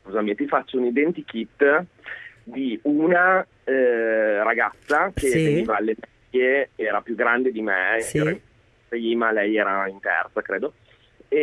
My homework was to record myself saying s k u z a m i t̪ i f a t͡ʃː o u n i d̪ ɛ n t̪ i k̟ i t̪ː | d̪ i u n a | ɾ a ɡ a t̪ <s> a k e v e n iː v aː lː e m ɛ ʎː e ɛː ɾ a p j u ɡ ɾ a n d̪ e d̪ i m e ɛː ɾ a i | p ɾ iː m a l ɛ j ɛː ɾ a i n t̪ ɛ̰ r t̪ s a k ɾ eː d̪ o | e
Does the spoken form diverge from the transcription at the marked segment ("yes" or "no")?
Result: yes